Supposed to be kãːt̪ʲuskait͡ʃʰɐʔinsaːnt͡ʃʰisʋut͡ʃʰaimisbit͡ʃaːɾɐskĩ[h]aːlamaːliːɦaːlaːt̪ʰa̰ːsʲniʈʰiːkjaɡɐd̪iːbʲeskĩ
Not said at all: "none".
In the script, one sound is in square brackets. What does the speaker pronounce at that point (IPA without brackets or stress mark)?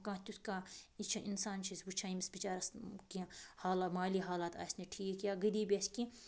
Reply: h